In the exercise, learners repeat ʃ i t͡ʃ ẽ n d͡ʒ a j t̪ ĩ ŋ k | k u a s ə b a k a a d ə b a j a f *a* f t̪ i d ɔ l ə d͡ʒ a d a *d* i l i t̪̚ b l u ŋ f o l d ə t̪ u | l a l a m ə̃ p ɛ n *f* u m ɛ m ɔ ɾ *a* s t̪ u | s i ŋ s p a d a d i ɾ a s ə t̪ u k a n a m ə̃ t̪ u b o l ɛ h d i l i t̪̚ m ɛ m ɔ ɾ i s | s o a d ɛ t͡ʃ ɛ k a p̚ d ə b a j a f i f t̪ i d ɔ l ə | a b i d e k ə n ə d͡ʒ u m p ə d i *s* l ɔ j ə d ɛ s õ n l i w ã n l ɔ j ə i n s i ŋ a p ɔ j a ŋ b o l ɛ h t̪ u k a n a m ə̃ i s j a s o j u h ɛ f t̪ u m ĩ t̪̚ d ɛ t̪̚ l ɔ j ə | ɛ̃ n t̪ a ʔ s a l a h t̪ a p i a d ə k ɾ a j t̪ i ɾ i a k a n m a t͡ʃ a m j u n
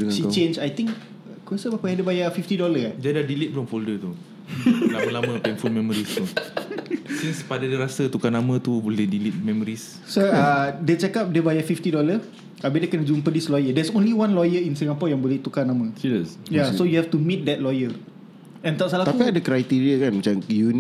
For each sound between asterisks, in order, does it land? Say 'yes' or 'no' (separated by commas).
no, yes, yes, no, yes